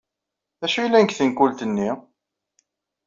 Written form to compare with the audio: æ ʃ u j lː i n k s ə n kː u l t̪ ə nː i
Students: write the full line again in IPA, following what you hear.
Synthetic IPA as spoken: æ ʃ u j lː æ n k θ ə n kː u l t̪ ə nː i

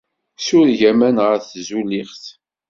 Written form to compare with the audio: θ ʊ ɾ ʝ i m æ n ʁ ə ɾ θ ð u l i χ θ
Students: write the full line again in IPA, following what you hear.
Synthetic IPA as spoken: s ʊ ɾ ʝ æ m æ n ʁ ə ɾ θ z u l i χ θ

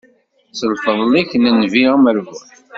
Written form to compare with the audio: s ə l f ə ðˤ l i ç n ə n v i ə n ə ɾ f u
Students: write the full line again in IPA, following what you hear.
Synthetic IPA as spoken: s ə l f ə ðˤ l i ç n ə n v i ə m ə ɾ v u

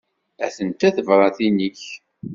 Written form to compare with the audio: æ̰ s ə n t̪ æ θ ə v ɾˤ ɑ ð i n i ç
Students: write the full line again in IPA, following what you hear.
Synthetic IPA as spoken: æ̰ θ ə n t̪ æ θ ə v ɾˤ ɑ θ i n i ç

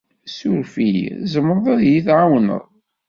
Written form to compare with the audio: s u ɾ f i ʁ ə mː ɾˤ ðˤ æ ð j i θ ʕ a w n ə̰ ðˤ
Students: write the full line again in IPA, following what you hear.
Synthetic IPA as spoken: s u ɾ f i z ə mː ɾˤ ðˤ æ ð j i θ ʕ a w n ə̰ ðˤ

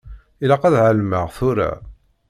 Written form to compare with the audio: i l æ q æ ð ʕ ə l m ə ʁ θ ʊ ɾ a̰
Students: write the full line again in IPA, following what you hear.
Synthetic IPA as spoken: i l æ q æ ð ʕ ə l m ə ʁ θ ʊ ɾ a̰

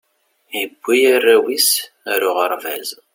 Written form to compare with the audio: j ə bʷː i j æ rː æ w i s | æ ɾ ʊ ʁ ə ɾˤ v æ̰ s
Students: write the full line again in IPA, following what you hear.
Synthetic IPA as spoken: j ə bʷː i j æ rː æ w i s | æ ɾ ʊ ʁ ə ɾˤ v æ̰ z

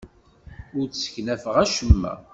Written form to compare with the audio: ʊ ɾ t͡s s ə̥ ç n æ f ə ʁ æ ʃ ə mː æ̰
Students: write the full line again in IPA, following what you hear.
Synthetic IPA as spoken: ʊ ɾ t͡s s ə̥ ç n æ f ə ʁ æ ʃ ə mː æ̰

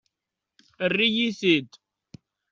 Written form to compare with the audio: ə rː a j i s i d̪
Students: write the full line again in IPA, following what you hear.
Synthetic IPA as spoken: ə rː i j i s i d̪

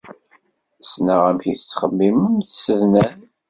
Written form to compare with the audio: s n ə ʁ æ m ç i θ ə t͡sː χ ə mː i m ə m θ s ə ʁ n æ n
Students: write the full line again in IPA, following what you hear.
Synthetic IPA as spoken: s n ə ʁ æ m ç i θ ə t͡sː χ ə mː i m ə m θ s ə ð n æ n

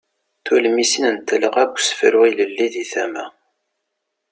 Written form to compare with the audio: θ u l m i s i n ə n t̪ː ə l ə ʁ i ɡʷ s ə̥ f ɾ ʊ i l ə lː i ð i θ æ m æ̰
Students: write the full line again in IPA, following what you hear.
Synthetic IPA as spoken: θ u l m i s i n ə n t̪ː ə l ə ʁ æ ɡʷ s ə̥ f ɾ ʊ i l ə lː i ð i θ æ m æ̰

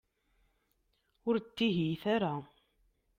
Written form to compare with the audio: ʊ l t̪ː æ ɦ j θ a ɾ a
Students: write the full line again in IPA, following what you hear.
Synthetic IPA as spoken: ʊ ɾ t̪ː i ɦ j θ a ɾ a

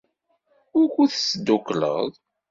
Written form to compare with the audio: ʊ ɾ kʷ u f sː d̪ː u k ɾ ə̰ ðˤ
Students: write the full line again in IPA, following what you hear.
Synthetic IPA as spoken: ʊ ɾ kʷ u θ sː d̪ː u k l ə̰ ðˤ

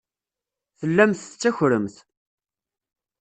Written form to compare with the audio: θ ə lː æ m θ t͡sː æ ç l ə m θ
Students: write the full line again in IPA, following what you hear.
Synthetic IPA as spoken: θ ə lː æ m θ t͡sː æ ç ɾ ə m θ

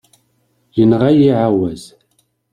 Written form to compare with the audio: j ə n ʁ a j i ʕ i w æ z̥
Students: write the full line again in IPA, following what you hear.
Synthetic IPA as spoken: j ə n ʁ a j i ʕ a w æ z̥

